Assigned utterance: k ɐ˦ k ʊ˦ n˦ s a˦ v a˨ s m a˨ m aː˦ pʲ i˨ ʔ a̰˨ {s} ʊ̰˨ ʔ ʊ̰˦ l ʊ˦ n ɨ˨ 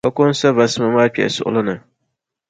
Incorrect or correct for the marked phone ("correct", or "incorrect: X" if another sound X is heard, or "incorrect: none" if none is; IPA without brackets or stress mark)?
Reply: correct